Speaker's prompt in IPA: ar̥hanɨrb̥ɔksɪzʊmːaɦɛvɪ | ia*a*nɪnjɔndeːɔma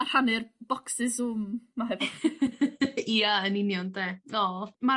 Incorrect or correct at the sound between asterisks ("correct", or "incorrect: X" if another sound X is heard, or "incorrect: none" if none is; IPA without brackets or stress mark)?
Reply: incorrect: ə